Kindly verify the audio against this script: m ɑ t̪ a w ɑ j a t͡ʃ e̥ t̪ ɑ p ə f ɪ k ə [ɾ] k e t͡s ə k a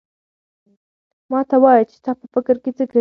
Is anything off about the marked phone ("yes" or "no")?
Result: no